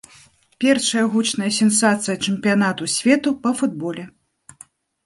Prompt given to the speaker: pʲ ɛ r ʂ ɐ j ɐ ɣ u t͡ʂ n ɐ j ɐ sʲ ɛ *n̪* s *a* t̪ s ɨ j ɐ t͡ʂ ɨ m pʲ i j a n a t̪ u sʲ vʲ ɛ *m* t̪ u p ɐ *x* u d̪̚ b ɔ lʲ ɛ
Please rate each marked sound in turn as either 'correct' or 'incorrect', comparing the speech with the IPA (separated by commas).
correct, correct, incorrect, incorrect